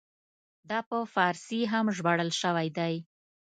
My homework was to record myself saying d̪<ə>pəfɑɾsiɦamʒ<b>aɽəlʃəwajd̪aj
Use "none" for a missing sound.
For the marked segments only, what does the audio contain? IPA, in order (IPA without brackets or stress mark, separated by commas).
ɑ, b